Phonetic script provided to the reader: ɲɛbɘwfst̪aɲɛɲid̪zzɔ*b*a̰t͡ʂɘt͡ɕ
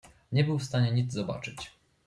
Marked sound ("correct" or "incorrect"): correct